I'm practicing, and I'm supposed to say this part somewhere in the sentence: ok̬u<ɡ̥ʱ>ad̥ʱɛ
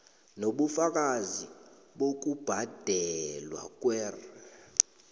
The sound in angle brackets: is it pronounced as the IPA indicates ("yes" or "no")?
no